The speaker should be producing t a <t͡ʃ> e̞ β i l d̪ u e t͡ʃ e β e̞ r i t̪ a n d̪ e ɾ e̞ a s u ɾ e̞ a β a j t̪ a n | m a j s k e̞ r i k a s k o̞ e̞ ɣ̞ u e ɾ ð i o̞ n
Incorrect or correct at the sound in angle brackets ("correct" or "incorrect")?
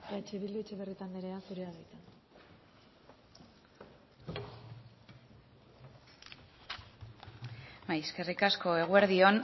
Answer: correct